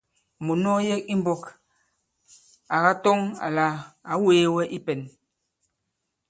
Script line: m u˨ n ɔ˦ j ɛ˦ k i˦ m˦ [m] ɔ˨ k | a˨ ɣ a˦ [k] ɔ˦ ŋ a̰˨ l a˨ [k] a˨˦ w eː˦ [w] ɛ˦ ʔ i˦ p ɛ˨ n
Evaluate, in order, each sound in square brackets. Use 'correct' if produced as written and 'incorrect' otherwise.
incorrect: b, incorrect: t, incorrect: none, correct

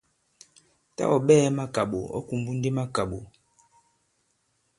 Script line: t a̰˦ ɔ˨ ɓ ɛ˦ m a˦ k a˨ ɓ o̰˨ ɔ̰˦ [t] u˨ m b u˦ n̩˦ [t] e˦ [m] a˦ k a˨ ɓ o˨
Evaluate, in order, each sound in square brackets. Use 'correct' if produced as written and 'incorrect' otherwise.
incorrect: k, incorrect: d, correct

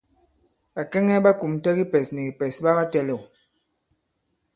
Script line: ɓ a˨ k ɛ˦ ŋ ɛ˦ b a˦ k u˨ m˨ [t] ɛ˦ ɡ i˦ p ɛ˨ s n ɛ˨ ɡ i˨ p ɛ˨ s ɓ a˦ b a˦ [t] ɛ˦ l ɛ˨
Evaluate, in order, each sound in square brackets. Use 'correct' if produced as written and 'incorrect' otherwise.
correct, correct

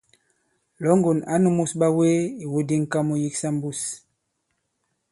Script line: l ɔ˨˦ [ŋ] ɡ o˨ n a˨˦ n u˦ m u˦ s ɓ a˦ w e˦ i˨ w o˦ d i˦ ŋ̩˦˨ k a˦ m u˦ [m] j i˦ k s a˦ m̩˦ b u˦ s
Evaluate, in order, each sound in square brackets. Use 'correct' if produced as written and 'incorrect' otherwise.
correct, incorrect: none

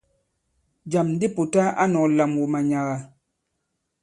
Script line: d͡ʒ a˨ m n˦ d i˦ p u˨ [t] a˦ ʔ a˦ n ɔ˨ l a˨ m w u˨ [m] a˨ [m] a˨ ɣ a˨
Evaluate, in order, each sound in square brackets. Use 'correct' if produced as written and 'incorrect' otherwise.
correct, correct, incorrect: ɲ

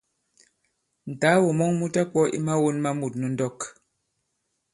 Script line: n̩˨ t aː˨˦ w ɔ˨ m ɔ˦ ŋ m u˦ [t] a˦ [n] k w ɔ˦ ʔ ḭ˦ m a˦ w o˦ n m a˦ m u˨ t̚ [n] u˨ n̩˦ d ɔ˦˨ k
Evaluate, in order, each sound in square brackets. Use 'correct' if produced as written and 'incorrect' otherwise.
correct, incorrect: none, correct

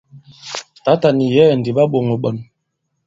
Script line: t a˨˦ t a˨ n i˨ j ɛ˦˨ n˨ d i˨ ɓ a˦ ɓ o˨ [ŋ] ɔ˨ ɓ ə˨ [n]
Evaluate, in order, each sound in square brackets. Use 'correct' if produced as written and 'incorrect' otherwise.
correct, correct

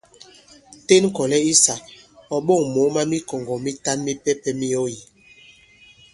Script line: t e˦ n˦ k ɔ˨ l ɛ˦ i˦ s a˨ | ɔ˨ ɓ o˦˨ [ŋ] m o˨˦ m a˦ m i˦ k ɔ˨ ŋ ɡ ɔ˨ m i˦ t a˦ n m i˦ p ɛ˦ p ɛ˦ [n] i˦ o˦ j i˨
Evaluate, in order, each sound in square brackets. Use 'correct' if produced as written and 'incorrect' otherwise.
correct, incorrect: m

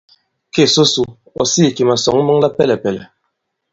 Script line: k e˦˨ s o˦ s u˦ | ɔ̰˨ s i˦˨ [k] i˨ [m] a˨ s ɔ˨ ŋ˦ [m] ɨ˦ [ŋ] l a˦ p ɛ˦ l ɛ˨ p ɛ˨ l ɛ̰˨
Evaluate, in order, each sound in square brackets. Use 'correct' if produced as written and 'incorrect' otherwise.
correct, correct, correct, correct

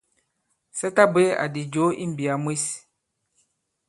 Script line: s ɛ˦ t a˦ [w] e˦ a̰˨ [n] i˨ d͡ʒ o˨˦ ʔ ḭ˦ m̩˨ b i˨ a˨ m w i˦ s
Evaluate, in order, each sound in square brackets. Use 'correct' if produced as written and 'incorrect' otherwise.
incorrect: b, incorrect: d

